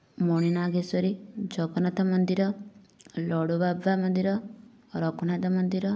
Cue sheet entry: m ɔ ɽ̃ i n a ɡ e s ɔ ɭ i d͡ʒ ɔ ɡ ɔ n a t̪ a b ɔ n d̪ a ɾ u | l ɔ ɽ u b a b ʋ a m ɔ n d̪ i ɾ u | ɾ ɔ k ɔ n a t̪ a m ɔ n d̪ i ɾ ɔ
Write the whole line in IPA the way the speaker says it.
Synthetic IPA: m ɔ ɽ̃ i n a ɡ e s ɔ ɾ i d͡ʒ ɔ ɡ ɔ n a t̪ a m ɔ n d̪ i ɾ ɔ | l ɔ ɽ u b a b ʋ a m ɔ n d̪ i ɾ ɔ | ɾ ɔ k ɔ n a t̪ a m ɔ n d̪ i ɾ ɔ